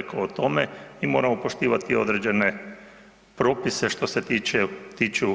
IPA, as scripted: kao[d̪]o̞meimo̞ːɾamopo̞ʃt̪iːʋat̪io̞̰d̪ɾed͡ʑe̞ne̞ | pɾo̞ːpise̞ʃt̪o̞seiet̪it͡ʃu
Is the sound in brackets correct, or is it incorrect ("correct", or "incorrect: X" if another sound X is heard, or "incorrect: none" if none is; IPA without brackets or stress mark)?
incorrect: t̪